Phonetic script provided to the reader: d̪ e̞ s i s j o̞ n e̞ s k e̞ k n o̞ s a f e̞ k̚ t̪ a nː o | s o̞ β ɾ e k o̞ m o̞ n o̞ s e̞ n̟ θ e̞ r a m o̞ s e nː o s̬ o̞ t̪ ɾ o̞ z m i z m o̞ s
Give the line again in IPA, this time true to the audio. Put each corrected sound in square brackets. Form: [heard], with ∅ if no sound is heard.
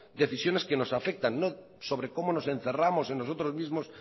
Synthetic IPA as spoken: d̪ e̞ [θ] i s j o̞ n e̞ s k e̞ [∅] n o̞ s a f e̞ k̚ t̪ a nː o | s o̞ β ɾ e k o̞ m o̞ n o̞ s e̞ n̟ θ e̞ r a m o̞ s e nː o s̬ o̞ t̪ ɾ o̞ z m i z m o̞ s